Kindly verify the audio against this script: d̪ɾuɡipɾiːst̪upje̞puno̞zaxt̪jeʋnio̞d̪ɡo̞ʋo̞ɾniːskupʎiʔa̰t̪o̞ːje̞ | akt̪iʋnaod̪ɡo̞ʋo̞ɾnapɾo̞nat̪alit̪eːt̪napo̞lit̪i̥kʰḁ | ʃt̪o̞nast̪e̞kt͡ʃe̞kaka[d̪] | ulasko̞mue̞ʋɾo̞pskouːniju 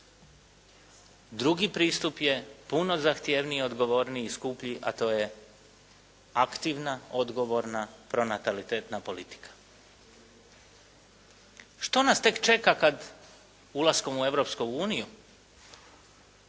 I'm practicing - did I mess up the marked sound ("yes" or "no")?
no